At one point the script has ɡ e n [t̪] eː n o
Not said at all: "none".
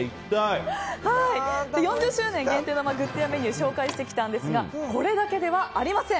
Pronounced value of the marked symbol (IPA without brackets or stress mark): t̪